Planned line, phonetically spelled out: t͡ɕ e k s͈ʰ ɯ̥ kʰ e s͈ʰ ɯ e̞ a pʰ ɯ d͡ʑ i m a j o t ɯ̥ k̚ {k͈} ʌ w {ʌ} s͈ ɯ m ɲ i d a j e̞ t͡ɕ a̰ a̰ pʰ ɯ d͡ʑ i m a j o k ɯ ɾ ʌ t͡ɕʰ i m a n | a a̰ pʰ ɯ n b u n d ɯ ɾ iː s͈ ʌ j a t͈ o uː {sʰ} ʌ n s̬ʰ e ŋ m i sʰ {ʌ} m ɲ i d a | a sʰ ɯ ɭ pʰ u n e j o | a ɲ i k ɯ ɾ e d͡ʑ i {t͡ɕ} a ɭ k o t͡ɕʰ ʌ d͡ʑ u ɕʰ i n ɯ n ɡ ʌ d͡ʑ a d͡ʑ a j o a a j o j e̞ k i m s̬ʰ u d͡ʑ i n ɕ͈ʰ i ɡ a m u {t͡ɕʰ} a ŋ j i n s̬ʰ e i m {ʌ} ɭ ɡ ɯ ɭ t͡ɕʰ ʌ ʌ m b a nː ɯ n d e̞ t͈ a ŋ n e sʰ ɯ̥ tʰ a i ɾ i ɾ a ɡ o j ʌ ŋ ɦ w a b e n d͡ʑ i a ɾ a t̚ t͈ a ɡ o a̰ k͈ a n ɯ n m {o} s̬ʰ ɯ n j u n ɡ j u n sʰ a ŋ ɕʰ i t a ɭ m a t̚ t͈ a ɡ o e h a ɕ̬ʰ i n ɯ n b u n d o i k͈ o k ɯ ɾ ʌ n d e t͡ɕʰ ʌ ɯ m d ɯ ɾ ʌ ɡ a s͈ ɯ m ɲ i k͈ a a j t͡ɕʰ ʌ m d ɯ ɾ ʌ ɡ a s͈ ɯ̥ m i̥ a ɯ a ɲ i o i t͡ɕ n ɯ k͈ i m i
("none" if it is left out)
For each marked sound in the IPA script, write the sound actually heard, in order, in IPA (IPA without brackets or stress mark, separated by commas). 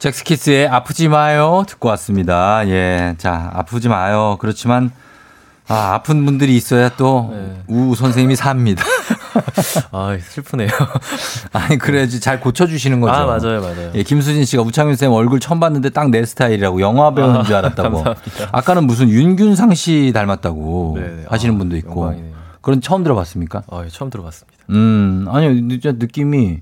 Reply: k͈, a, sʰ, a, t͡ɕ, t͡ɕʰ, ʌ, u